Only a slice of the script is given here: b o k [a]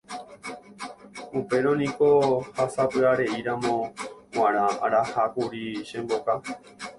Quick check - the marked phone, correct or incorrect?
correct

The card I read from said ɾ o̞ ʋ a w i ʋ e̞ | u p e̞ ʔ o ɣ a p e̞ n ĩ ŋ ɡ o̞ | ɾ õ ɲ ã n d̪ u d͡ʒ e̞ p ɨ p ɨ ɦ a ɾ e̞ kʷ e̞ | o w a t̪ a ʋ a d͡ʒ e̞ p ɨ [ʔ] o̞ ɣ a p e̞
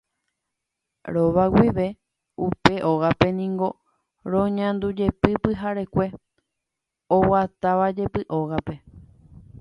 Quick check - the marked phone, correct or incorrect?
correct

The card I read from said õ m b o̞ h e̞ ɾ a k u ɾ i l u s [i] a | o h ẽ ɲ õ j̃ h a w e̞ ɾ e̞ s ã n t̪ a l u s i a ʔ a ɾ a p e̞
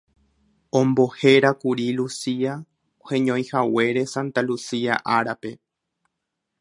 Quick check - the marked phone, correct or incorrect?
correct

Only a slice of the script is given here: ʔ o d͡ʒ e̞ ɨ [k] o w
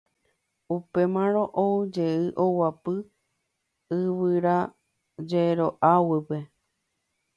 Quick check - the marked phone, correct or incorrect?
incorrect: ʔ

